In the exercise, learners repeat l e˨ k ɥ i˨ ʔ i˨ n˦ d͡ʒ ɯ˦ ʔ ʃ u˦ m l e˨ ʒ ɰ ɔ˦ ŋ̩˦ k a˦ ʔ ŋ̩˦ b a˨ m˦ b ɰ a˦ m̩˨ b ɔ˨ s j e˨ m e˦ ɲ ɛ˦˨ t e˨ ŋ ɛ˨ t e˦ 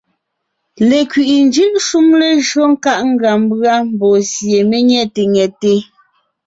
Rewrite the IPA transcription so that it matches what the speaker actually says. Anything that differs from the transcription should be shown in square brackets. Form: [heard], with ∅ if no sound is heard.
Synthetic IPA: l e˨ k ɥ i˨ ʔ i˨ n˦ d͡ʒ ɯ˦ ʔ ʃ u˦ m l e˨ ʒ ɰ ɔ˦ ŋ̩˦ k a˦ ʔ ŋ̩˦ [ɡ] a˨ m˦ b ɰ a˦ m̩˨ b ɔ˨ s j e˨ m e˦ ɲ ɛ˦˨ t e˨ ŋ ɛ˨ t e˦